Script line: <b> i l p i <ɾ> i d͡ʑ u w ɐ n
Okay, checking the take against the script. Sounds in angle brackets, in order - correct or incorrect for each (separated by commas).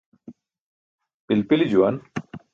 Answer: incorrect, incorrect